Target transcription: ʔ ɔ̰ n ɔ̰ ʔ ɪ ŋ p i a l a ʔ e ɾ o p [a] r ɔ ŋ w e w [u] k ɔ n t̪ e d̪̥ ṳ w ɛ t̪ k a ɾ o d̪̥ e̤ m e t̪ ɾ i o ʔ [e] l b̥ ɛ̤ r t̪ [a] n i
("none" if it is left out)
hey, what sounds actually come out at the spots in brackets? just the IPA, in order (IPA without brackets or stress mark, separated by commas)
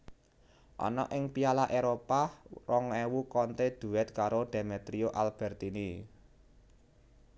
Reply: a, u, a, i